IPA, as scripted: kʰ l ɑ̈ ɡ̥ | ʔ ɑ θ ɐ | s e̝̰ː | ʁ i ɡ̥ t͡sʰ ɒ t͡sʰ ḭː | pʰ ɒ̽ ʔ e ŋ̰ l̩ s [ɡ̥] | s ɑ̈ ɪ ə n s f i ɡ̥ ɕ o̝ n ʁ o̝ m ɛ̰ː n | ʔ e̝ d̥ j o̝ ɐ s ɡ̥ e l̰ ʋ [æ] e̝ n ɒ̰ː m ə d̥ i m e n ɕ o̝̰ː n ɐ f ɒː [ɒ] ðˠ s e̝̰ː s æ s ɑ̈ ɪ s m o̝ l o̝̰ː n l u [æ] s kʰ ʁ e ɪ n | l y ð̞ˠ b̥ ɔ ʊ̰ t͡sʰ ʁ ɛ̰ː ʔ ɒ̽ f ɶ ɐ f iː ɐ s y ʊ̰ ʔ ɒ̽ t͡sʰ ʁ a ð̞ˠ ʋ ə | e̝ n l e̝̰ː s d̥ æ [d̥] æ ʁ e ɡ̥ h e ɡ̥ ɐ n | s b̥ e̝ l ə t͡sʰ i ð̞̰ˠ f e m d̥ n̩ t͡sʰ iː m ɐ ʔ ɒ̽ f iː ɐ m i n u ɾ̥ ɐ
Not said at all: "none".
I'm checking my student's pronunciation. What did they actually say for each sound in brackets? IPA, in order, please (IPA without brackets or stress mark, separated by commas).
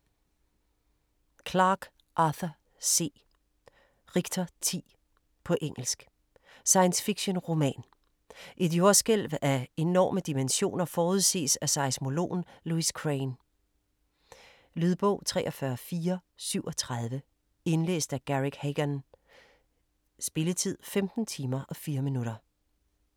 ɡ̥, æ, u, i, ɡ̥